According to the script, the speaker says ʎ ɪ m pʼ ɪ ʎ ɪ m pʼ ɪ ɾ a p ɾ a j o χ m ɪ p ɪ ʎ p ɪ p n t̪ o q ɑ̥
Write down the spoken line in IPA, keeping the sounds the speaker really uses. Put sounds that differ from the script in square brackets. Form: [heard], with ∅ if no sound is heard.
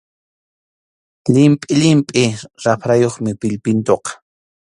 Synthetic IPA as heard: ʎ ɪ m pʼ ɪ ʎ ɪ m pʼ ɪ ɾ a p ɾ a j o χ m ɪ p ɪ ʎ p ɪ [∅] n t̪ o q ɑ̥